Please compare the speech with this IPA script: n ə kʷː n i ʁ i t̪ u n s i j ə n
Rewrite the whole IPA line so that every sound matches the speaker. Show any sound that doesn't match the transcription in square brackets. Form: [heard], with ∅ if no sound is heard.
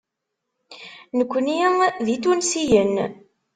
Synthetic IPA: n ə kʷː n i [ð] i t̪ u n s i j ə n